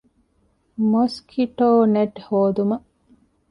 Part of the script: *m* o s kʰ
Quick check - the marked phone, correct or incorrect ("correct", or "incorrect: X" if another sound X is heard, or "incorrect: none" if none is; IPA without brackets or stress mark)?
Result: correct